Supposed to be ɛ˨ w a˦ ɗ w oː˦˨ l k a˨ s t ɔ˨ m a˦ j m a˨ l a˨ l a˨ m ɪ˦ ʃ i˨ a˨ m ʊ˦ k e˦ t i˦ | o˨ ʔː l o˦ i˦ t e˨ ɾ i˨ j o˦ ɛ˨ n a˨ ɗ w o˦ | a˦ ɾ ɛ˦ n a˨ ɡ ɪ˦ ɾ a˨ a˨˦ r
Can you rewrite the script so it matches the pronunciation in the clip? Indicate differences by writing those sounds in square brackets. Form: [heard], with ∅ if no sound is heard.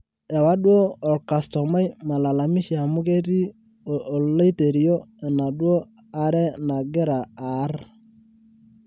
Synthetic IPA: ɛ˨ w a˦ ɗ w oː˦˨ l k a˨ s t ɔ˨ m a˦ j m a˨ l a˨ l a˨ m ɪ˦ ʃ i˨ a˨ m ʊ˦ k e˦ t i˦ | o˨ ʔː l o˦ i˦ t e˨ ɾ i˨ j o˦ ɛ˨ n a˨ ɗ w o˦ | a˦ ɾ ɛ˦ n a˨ ɡ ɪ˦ ɾ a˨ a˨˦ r